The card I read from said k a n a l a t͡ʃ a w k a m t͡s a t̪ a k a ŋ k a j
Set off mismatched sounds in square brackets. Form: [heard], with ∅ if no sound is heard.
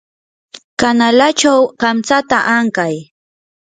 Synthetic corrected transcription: k a n a l a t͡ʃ a w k a m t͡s a t̪ a [ʔ] a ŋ k a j